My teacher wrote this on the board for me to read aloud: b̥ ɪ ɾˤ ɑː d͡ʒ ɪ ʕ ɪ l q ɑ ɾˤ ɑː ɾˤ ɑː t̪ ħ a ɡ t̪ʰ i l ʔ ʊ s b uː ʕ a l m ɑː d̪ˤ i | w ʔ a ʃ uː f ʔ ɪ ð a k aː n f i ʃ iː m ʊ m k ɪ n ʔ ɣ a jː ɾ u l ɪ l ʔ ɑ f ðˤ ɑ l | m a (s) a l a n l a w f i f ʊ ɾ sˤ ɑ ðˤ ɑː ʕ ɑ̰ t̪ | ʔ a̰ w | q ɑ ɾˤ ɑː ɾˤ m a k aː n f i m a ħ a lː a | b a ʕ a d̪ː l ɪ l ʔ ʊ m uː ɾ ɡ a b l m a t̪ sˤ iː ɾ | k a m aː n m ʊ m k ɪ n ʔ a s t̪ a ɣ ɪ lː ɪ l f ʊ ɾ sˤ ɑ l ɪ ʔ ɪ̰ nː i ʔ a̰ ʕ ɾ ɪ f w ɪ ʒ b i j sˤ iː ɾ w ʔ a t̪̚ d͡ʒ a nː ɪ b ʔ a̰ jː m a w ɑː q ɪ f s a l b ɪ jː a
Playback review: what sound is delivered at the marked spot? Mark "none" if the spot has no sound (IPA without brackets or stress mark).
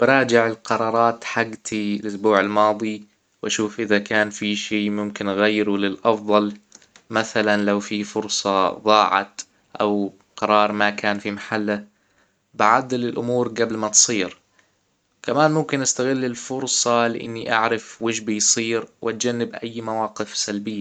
θ